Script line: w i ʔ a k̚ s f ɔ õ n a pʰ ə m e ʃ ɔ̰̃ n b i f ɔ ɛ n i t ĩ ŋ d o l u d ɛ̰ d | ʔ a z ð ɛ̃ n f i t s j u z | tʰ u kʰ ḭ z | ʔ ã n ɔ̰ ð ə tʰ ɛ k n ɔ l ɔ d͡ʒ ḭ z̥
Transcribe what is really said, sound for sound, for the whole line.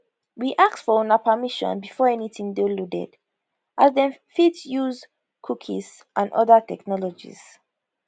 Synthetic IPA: w i ʔ a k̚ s f ɔ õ n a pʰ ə m i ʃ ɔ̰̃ n b i f ɔ ɛ n i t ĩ ŋ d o l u d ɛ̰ d | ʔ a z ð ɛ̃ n f i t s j u z | kʰ u kʰ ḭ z | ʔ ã n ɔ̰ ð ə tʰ ɛ k n ɔ l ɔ d͡ʒ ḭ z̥